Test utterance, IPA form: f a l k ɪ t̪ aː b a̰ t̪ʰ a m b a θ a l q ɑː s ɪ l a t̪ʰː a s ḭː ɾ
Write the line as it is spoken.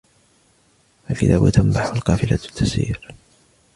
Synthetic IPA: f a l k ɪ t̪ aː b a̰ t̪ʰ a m b a ħ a l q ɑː f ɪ l a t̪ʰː a s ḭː ɾ